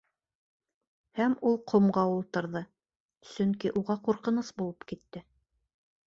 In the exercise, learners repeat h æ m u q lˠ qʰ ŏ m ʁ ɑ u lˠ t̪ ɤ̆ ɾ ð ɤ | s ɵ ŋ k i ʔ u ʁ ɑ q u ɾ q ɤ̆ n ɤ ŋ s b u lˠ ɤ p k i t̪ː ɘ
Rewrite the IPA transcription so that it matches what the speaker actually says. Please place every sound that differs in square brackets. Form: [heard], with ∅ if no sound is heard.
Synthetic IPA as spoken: h æ m u [∅] lˠ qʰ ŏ m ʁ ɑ u lˠ t̪ ɤ̆ ɾ ð ɤ | s ɵ ŋ k i ʔ u ʁ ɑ q u ɾ q ɤ̆ n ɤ [∅] s b u lˠ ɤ p k i t̪ː ɘ

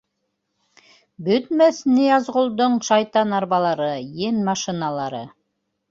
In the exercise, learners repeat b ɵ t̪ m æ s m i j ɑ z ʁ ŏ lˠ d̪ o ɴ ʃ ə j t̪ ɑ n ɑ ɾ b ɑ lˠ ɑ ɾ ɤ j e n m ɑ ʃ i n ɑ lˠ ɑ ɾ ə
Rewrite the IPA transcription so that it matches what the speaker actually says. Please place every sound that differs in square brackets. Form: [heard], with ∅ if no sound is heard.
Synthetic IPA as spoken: b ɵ t̪ m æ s [n] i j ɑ z ʁ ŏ lˠ d̪ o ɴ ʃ [ɑ] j t̪ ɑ n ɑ ɾ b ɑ lˠ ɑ ɾ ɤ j e n m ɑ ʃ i n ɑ lˠ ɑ ɾ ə

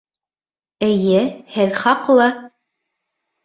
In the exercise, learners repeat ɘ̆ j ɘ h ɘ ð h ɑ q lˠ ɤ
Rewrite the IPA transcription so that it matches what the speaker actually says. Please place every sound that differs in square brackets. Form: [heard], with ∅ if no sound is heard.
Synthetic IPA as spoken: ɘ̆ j ɘ h ɘ ð [χ] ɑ q lˠ ɤ

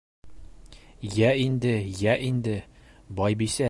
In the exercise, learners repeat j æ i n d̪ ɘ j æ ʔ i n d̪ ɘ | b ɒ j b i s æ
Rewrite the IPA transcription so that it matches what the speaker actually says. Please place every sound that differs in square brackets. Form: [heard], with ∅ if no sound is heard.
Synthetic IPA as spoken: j æ i n d̪ ɘ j æ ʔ i n d̪ ɘ | b ɒ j b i s æ

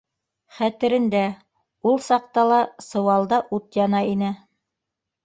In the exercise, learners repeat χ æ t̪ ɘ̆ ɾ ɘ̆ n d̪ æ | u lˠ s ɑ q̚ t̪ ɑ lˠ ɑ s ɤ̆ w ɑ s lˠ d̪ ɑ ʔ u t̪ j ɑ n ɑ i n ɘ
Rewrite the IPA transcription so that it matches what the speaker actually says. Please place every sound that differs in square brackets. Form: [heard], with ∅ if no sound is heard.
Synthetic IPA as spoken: χ æ t̪ ɘ̆ ɾ ɘ̆ n d̪ æ | u lˠ s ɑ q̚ t̪ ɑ lˠ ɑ s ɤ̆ w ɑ [∅] lˠ d̪ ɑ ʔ u t̪ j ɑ n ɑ i n ɘ

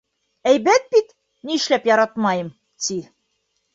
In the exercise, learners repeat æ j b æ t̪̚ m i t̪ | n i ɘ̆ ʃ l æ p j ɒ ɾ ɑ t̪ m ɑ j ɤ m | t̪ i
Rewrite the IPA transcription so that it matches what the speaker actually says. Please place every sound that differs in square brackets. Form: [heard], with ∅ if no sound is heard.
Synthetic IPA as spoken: æ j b æ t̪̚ [b] i t̪ | n i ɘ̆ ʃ l æ p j ɒ ɾ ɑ t̪ m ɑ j ɤ m | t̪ i

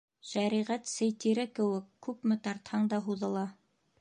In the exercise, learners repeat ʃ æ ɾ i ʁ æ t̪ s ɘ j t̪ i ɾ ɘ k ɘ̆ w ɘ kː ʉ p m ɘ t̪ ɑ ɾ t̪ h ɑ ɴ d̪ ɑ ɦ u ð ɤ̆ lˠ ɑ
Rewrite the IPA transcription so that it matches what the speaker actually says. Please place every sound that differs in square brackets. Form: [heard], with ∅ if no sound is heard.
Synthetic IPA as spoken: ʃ æ ɾ i ʁ æ t̪ s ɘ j t̪ i ɾ ɘ k ɘ̆ w ɘ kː ʉ p m ɘ t̪ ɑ ɾ t̪ h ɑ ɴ d̪ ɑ ɦ u ð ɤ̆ lˠ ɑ

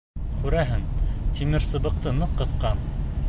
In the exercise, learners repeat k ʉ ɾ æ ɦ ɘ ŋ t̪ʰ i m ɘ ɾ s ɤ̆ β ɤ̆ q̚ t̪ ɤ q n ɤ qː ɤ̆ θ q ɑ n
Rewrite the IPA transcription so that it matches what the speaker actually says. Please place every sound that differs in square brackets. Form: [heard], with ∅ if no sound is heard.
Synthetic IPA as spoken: k ʉ ɾ æ ɦ ɘ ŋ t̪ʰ i m ɘ ɾ s ɤ̆ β ɤ̆ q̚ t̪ ɤ [∅] n ɤ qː ɤ̆ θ q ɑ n

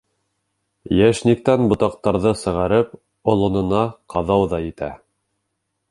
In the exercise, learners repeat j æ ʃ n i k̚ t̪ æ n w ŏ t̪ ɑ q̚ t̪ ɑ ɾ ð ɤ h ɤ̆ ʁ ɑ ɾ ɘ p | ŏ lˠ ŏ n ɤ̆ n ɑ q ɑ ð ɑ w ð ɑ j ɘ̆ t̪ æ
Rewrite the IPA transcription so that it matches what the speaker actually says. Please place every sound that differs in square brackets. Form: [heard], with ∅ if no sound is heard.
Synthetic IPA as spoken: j æ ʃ n i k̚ t̪ æ n [b] ŏ t̪ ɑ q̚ t̪ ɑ ɾ ð ɤ [s] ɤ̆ ʁ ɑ ɾ ɘ p | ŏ lˠ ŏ n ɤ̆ n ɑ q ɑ ð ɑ w ð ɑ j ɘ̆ t̪ æ

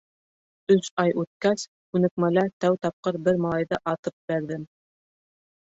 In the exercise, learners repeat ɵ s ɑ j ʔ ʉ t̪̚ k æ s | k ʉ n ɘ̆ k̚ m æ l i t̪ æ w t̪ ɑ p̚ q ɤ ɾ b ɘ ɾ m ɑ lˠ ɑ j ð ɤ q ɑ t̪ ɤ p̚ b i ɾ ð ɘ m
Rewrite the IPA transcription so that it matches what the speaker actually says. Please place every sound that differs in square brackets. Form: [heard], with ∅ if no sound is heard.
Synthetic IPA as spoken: ɵ s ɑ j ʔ ʉ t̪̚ k æ s | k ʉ n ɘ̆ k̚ m æ l [æ] t̪ æ w t̪ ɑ p̚ q ɤ ɾ b ɘ ɾ m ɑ lˠ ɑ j ð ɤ [ʔ] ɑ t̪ ɤ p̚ b [æ] ɾ ð ɘ m

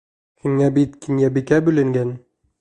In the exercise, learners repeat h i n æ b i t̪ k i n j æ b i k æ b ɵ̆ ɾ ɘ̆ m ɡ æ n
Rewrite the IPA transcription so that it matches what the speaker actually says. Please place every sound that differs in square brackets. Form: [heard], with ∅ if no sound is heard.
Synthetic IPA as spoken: h i [ŋ] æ b i t̪ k i n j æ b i k æ b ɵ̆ [l] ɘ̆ [ŋ] ɡ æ n

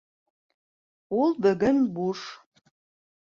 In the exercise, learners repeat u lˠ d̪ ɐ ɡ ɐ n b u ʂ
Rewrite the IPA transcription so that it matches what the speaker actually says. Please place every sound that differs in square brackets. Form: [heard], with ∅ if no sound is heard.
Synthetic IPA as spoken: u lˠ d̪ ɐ ɡ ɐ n b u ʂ

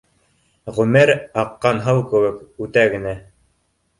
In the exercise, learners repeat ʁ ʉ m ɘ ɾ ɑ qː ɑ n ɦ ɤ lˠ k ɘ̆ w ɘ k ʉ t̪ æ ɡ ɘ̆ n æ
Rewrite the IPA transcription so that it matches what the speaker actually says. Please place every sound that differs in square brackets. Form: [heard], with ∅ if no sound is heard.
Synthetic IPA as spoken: ʁ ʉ m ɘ ɾ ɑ qː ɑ n ɦ ɤ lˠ k ɘ̆ w ɘ k ʉ t̪ æ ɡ ɘ̆ n æ

